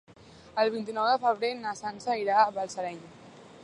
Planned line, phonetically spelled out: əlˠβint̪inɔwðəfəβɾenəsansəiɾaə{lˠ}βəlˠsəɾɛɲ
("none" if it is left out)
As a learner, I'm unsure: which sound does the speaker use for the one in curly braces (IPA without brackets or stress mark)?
none